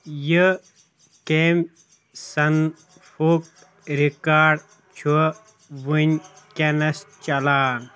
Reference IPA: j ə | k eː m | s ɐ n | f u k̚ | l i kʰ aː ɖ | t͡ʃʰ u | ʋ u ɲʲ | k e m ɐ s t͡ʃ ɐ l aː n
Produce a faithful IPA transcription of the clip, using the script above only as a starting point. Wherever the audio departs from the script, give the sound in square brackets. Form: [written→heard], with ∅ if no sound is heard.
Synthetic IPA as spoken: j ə | k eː m | s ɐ n | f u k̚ | [l→ɾ] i [kʰ→k] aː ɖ | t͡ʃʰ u | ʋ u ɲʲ | k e [m→n] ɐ s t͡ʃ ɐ l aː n